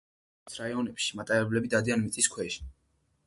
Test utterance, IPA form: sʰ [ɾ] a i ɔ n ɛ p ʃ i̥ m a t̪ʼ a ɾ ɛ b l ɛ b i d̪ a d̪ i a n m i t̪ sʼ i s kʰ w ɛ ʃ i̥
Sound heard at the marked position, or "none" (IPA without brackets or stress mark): ɾ